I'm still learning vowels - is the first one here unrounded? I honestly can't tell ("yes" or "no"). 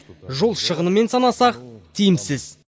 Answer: no